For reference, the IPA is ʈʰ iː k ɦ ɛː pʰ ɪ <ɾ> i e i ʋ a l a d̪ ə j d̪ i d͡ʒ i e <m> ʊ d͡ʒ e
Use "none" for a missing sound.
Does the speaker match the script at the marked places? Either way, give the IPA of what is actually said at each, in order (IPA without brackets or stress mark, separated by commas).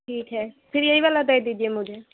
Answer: ɾ, m